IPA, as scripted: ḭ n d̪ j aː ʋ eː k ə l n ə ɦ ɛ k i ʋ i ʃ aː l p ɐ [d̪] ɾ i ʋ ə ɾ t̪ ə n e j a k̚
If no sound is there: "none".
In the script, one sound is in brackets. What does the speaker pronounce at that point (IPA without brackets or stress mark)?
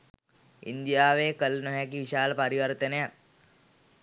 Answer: none